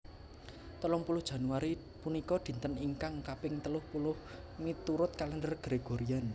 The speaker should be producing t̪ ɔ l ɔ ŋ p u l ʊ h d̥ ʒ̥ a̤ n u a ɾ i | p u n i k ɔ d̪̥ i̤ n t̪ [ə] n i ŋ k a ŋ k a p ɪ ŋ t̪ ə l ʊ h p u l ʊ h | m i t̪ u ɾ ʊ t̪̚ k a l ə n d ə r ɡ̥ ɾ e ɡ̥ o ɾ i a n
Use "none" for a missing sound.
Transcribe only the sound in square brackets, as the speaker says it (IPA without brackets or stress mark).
ə